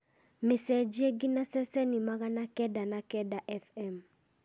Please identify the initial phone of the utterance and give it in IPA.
m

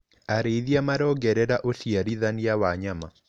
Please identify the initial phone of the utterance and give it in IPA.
a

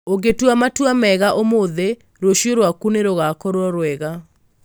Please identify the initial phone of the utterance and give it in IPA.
o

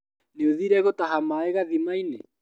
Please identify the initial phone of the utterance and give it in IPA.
n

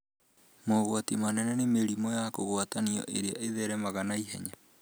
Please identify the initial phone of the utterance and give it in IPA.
m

